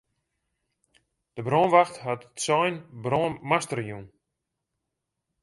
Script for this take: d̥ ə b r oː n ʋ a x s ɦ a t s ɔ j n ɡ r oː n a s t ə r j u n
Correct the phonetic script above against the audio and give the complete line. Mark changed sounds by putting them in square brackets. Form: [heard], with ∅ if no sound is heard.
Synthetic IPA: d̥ ə b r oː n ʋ a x [t] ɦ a t s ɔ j n [b] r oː [m] a s t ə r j u n